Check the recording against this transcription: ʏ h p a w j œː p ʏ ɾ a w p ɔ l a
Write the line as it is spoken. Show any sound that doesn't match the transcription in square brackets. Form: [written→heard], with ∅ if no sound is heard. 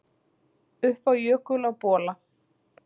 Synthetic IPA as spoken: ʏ h p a w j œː [p→k] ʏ [ɾ→l] a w p [ɔ→ɔː] l a